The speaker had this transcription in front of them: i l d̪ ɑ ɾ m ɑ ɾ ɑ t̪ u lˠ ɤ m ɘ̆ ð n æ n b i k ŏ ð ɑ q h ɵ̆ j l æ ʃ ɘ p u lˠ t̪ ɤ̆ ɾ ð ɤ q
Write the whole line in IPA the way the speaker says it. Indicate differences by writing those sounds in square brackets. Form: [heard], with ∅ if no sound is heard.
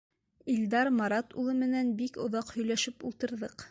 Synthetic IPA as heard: i l d̪ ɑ ɾ m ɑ ɾ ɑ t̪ u lˠ ɤ m ɘ̆ [∅] n æ n b i k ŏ ð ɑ q h ɵ̆ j l æ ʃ ɘ p u lˠ t̪ ɤ̆ ɾ ð ɤ q